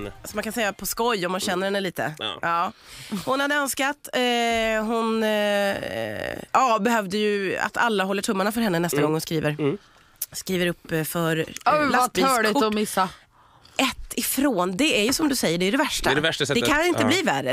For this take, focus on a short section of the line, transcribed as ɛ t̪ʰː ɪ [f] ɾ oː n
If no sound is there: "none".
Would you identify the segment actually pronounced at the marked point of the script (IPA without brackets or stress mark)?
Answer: f